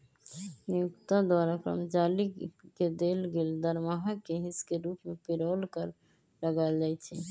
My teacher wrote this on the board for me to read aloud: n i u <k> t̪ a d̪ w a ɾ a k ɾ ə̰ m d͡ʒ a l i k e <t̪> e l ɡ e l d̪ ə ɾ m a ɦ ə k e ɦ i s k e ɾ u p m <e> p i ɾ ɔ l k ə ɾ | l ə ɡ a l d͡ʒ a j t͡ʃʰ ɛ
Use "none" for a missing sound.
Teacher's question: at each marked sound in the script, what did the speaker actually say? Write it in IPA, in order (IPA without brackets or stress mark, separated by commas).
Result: k, d̪, e